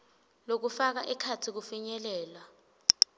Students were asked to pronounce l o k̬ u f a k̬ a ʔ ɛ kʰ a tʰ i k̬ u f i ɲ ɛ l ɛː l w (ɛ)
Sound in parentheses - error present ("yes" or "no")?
yes